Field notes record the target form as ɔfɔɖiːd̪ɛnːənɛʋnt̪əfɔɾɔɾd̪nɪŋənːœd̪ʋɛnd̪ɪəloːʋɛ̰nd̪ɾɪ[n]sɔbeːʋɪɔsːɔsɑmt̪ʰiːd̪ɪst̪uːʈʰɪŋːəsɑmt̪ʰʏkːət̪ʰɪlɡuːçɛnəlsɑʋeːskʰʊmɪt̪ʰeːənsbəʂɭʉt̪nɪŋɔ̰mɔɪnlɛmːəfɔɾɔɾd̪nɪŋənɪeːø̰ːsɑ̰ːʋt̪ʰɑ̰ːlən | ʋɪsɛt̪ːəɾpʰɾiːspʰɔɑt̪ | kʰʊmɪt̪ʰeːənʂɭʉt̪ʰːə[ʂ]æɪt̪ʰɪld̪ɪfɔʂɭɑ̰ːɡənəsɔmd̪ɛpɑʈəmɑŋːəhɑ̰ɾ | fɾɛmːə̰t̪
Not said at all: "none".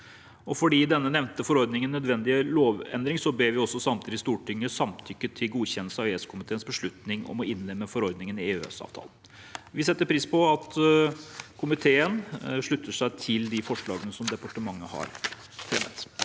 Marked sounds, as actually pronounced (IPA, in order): ŋ, ʂ

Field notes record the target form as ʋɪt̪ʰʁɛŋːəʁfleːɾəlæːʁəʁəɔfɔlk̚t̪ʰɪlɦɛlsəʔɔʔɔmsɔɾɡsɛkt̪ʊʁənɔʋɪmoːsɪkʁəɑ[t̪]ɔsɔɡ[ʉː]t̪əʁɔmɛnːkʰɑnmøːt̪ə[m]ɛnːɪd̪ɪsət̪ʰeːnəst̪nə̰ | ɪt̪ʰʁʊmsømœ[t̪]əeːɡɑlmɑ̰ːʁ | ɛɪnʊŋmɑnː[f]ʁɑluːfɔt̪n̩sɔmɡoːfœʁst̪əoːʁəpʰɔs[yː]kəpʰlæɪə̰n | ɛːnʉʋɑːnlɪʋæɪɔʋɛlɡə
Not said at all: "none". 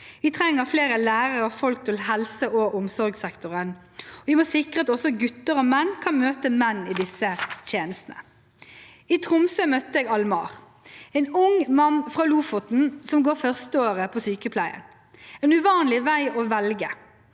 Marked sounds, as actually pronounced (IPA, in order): t̪, ʉ, m, t̪, f, yː

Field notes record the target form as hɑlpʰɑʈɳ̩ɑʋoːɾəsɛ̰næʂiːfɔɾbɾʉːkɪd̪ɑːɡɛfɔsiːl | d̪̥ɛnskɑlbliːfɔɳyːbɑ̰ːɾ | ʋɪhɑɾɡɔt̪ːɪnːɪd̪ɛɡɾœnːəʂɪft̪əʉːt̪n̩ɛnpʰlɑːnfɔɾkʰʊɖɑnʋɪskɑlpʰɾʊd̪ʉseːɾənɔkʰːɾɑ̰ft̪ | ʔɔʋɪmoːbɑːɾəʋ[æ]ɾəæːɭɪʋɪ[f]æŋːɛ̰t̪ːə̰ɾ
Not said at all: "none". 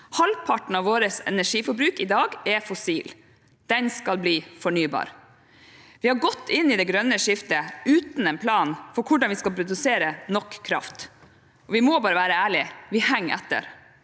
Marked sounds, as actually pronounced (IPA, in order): æː, h

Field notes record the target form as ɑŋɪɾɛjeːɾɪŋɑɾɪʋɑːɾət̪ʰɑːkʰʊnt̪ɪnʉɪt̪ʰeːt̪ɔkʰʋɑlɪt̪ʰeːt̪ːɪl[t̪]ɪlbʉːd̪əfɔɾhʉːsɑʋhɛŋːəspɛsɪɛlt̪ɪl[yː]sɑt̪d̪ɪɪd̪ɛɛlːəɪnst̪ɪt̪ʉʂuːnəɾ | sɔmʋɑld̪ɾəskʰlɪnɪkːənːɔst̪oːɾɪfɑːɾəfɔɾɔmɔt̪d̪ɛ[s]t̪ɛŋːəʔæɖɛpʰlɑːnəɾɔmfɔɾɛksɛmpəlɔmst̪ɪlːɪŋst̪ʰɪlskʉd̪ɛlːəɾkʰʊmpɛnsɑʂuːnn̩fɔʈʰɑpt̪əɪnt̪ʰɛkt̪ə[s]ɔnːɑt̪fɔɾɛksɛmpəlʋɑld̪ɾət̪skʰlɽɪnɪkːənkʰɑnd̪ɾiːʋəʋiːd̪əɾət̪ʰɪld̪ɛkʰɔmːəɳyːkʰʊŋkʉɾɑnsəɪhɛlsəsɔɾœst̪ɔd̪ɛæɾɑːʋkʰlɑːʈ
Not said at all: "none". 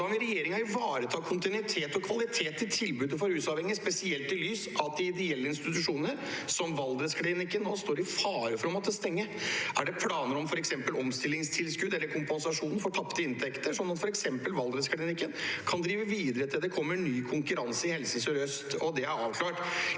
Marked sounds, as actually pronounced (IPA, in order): t̪ʰ, yː, s, ʂ

